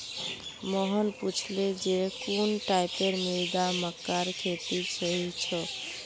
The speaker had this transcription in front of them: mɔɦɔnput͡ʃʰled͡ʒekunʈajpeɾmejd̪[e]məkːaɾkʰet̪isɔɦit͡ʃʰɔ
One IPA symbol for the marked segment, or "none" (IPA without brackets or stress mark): a